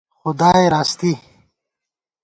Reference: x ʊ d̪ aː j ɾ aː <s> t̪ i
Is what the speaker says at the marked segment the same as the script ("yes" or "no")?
yes